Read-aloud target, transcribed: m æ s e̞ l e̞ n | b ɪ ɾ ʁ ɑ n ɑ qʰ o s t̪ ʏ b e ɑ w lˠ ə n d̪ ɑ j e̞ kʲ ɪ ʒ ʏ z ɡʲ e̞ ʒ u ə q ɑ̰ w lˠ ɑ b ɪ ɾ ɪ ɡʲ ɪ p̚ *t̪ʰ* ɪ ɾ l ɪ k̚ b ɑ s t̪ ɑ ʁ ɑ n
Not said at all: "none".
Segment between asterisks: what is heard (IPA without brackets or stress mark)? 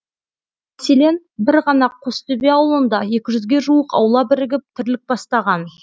t̪ʰ